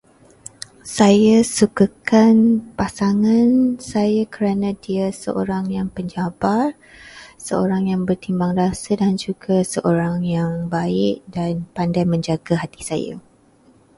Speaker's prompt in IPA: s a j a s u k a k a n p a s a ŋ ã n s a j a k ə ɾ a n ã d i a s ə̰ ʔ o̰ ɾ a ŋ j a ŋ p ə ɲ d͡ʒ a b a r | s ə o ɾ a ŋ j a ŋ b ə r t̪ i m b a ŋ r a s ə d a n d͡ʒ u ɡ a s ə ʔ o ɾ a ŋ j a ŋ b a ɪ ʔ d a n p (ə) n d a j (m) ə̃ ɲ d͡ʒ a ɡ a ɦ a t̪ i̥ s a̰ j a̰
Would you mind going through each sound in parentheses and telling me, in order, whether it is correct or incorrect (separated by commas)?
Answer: incorrect, correct